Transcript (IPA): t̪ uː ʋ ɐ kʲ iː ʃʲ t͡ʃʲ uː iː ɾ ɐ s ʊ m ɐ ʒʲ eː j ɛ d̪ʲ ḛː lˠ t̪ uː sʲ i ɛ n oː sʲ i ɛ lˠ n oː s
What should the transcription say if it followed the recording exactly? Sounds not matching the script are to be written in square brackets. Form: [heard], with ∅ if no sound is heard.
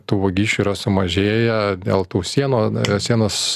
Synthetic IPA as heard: t̪ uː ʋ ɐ [ɡʲ] iː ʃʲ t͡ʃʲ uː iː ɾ ɐ s ʊ m ɐ ʒʲ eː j ɛ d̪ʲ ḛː lˠ t̪ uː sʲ i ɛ n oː sʲ i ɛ [∅] n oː s